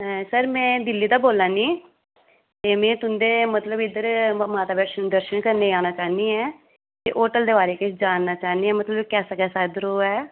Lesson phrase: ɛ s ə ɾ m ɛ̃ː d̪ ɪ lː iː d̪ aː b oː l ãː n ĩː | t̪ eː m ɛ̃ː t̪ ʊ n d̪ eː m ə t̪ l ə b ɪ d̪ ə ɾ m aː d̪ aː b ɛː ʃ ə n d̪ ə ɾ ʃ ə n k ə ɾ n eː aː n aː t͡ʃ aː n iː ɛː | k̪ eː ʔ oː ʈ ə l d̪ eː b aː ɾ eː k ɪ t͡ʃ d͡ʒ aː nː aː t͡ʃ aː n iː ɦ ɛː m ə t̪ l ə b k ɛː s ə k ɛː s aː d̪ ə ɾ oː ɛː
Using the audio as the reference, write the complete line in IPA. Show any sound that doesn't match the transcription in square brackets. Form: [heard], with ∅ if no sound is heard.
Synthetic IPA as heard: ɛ s ə ɾ m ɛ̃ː d̪ ɪ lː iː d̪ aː b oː l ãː n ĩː | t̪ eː m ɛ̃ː t̪ ʊ n d̪ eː m ə t̪ l ə b ɪ d̪ ə ɾ m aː [t̪] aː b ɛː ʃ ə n d̪ ə ɾ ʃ ə n k ə ɾ n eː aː n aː t͡ʃ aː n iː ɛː | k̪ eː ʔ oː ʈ ə l d̪ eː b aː ɾ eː k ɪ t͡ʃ d͡ʒ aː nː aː t͡ʃ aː n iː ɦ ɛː m ə t̪ l ə b k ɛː s ə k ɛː s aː d̪ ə ɾ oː ɛː

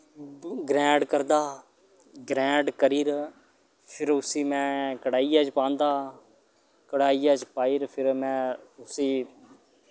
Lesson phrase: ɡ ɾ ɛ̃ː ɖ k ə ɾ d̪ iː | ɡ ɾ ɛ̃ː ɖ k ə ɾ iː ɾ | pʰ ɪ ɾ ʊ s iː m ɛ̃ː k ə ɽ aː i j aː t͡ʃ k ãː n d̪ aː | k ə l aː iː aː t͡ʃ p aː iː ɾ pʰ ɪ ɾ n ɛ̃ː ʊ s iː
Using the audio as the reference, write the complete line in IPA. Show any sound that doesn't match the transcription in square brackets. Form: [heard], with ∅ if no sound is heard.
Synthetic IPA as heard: ɡ ɾ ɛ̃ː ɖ k ə ɾ d̪ [aː] | ɡ ɾ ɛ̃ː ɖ k ə ɾ iː ɾ | pʰ ɪ ɾ ʊ s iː m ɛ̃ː k ə ɽ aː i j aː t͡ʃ [p] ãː n d̪ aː | k ə [ɽ] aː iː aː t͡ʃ p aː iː ɾ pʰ ɪ ɾ [m] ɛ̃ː ʊ s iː

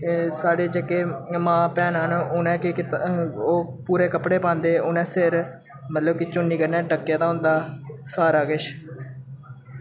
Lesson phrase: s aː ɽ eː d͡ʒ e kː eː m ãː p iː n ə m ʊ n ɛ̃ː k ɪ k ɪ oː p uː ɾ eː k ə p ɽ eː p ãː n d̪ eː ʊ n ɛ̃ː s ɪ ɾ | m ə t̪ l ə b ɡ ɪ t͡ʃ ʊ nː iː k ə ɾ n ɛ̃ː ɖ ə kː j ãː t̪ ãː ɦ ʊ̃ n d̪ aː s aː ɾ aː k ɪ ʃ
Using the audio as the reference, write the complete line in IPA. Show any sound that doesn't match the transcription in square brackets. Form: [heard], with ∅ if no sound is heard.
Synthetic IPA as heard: s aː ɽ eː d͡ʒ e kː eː m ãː p [ɛː] n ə [n] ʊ n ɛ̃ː k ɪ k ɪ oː p uː ɾ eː k ə p ɽ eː p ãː n d̪ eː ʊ n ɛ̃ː s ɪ ɾ | m ə t̪ l ə b [k] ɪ t͡ʃ ʊ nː iː k ə ɾ n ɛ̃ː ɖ ə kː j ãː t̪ [aː] ɦ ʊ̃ n d̪ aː s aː ɾ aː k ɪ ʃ

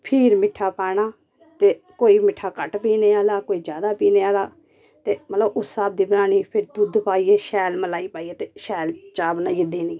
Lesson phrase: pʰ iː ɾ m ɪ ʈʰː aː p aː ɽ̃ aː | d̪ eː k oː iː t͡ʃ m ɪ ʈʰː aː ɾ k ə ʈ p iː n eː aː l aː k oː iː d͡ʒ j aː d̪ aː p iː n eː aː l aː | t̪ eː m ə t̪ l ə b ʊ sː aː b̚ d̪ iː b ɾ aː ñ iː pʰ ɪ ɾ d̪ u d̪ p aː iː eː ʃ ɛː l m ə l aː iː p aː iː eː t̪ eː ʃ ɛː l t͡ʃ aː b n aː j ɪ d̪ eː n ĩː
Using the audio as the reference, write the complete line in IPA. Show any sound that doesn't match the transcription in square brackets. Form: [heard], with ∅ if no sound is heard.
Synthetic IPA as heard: pʰ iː ɾ m ɪ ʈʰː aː p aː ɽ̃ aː | [t̪] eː k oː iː [∅] m ɪ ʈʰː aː [∅] k ə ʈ p iː n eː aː l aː k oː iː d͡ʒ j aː d̪ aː p iː n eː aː l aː | t̪ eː m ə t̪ l ə b ʊ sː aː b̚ d̪ iː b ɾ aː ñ iː pʰ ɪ ɾ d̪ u d̪ p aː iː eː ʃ ɛː l m ə l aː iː p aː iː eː t̪ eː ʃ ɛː l t͡ʃ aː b n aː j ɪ d̪ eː n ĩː

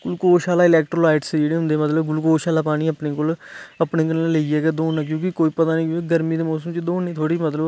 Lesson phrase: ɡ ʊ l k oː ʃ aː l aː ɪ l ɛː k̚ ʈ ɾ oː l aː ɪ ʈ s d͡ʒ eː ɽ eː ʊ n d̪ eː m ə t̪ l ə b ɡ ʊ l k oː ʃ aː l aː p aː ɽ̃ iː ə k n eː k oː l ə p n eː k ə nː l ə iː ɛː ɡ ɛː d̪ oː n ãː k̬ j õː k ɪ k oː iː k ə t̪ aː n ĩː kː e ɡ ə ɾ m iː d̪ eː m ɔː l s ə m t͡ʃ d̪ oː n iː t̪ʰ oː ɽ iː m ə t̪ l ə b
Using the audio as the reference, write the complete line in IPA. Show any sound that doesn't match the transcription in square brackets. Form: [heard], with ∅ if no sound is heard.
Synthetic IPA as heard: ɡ ʊ l k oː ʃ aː l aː ɪ l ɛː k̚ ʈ ɾ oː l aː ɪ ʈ s d͡ʒ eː ɽ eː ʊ n d̪ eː m ə t̪ l ə b ɡ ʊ l k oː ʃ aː l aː p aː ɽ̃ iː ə [p] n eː k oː l ə p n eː k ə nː l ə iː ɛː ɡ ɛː d̪ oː n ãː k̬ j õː k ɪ k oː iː [p] ə t̪ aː n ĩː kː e ɡ ə ɾ m iː d̪ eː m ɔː [∅] s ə m t͡ʃ d̪ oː n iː t̪ʰ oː ɽ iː m ə t̪ l ə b

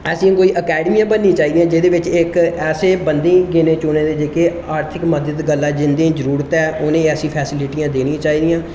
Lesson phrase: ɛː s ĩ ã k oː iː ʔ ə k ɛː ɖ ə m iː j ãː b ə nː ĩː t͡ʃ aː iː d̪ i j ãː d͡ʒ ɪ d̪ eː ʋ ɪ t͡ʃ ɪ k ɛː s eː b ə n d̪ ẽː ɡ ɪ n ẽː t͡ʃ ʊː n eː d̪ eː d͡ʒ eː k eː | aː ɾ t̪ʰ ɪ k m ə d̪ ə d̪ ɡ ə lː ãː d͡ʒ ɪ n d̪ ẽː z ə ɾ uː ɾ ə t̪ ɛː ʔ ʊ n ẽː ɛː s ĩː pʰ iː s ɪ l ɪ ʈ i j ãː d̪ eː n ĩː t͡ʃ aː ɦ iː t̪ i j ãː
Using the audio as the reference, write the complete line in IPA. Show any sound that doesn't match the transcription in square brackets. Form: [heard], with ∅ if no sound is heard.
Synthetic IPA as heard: ɛː s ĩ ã k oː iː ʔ ə k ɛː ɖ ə m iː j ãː b ə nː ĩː t͡ʃ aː iː d̪ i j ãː d͡ʒ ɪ d̪ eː ʋ ɪ t͡ʃ ɪ k ɛː s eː b ə n d̪ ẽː ɡ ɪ n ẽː t͡ʃ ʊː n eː d̪ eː d͡ʒ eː k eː | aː ɾ t̪ʰ ɪ k m ə d̪ ə d̪ ɡ ə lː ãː d͡ʒ ɪ n d̪ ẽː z ə ɾ uː ɾ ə t̪ ɛː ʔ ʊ n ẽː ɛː s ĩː pʰ [ɛː] s ɪ l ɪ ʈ i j ãː d̪ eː n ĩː t͡ʃ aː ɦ iː [d̪] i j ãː

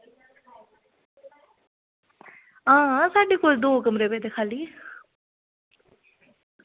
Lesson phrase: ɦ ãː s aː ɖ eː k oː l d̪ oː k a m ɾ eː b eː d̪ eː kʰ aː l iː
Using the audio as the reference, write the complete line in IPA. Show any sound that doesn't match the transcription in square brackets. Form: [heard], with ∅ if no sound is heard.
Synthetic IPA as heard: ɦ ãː s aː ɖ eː k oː l d̪ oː k [ə] m ɾ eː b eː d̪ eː kʰ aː l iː

